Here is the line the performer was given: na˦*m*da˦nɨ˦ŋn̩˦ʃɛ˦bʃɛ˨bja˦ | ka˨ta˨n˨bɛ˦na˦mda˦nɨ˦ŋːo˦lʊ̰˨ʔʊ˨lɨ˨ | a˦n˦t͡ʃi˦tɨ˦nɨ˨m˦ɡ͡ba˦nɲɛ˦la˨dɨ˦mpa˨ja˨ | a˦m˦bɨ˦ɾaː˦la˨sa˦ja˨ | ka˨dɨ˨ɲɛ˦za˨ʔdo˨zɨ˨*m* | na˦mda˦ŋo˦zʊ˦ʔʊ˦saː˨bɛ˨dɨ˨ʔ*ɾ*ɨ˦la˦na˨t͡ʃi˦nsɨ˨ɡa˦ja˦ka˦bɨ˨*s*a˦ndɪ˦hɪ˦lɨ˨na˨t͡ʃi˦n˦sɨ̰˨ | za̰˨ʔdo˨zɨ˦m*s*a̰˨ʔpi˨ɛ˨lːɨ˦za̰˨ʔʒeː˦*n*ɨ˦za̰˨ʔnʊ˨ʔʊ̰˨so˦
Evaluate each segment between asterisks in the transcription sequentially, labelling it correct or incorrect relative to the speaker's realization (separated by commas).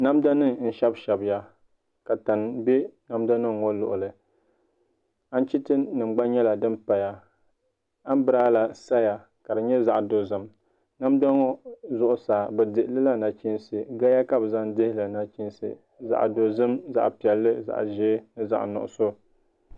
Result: correct, correct, incorrect, incorrect, incorrect, correct